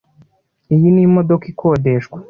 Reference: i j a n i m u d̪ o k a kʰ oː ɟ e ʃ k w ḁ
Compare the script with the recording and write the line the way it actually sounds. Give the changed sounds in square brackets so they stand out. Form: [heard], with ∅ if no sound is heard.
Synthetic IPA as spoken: i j [i] n i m [o] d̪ o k [i] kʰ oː [d] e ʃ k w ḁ